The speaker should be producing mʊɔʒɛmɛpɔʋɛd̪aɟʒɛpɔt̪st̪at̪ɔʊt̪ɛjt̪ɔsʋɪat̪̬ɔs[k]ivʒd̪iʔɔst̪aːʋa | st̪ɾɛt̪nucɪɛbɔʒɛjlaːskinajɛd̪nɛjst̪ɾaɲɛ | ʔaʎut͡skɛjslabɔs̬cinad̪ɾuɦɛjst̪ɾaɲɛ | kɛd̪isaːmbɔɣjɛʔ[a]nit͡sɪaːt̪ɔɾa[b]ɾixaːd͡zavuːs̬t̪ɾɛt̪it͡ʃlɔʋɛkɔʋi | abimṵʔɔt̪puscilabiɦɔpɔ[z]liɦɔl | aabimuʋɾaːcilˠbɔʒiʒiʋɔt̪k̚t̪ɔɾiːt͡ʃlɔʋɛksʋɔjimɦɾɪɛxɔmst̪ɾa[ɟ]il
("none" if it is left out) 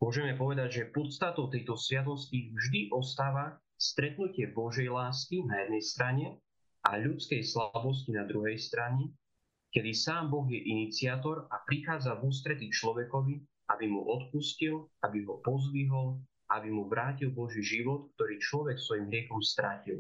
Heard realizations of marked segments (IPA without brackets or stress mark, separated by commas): c, i, p, z, c